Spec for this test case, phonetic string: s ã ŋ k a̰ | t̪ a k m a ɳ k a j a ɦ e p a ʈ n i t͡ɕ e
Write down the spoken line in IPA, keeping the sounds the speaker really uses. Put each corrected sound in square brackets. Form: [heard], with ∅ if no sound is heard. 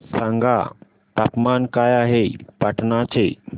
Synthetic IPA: s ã ŋ [ɡ] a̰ | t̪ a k m a [n] k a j a ɦ e p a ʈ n [a] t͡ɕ e